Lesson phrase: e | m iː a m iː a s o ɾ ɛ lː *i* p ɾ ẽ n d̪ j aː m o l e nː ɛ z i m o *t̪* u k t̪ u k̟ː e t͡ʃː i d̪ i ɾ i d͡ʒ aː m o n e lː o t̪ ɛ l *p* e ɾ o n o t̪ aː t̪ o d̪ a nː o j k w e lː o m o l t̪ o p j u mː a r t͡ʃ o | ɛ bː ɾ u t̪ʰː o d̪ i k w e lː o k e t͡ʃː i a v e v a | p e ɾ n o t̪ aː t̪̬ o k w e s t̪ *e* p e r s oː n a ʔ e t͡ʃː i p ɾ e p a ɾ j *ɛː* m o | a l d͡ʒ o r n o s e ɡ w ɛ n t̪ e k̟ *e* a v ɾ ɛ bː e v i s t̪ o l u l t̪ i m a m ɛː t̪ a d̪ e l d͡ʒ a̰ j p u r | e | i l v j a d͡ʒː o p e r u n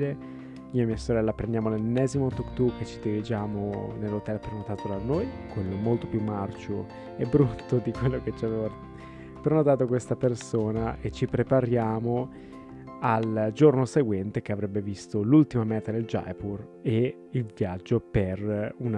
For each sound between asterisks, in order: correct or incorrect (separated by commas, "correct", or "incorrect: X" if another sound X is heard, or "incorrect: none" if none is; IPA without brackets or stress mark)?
incorrect: a, correct, correct, incorrect: a, incorrect: aː, correct